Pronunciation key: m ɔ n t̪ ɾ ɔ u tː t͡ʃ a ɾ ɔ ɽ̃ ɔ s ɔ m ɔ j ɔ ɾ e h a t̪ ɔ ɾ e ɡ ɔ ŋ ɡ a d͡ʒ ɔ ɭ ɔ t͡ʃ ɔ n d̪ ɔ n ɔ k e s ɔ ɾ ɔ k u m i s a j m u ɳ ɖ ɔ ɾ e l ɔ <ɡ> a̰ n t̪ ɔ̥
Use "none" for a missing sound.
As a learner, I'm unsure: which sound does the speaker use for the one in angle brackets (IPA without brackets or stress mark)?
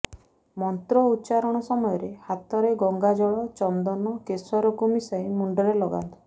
ɡ